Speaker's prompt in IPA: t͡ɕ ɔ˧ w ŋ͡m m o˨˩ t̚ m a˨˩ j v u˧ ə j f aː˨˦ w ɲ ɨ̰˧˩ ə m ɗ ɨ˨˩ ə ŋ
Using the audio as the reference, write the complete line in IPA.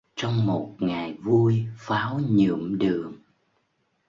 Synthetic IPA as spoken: t͡ɕ ɔ˧ w ŋ͡m m o˨˩ t̚ ŋ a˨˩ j v u˧ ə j f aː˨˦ w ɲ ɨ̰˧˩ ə m ɗ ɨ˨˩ ə ŋ